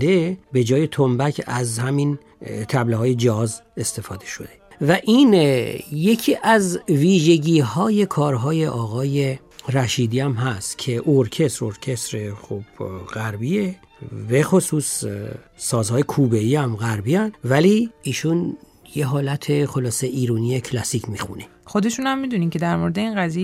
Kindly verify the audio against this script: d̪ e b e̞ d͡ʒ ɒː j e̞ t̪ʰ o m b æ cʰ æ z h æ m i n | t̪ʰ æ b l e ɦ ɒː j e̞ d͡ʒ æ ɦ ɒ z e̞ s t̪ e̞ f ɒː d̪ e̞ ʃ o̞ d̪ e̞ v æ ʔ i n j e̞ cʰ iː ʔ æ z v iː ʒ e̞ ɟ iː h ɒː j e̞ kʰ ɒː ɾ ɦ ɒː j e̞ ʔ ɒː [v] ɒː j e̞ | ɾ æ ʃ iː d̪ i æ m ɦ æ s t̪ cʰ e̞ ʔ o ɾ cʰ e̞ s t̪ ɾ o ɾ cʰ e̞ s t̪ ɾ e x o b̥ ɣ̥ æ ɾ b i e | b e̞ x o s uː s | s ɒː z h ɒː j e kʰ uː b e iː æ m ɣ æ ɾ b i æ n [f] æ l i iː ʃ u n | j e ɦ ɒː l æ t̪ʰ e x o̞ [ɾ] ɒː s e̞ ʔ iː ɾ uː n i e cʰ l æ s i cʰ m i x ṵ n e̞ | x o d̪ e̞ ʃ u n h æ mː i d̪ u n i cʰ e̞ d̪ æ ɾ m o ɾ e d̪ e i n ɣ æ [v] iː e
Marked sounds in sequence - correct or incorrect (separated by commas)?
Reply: incorrect, incorrect, incorrect, incorrect